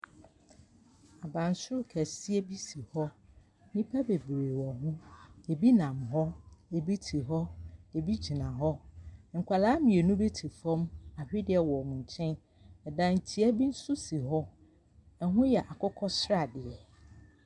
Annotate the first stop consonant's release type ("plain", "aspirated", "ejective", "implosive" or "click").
plain